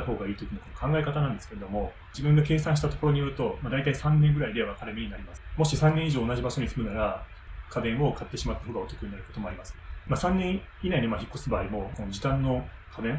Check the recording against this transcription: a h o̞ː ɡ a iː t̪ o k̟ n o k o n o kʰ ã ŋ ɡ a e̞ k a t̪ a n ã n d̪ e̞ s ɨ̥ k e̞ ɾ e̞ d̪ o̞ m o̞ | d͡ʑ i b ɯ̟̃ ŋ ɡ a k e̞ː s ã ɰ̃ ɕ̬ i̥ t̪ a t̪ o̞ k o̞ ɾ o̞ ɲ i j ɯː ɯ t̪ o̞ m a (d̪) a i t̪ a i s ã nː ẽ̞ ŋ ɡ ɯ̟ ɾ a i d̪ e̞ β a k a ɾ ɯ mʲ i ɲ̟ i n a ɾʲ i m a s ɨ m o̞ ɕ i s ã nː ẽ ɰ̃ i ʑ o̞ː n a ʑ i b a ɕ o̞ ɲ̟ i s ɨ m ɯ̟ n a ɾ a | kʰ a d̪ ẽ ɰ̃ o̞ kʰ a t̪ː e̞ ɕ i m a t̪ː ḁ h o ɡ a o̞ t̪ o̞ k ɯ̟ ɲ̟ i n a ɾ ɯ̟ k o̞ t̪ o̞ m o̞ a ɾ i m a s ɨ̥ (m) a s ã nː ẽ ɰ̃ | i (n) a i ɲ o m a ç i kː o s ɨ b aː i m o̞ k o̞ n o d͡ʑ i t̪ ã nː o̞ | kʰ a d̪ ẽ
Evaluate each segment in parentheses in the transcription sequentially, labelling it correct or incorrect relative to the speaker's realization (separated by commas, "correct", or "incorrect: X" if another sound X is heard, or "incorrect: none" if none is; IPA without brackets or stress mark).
correct, correct, correct